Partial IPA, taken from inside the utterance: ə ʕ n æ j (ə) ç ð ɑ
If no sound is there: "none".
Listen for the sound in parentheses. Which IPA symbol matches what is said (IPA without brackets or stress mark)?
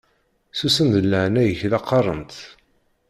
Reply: ə